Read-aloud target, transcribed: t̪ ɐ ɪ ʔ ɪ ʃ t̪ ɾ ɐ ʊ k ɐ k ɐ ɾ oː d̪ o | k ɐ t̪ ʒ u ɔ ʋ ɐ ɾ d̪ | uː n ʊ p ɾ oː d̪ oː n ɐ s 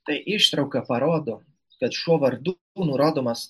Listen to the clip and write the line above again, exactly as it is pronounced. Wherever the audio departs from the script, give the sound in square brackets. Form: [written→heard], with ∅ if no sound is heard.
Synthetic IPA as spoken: t̪ ɐ ɪ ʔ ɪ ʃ t̪ ɾ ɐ ʊ k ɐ [k→p] ɐ ɾ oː d̪ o | k ɐ t̪ [ʒ→ʃ] u ɔ ʋ ɐ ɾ d̪ | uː n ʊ [p→∅] ɾ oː d̪ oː [n→m] ɐ s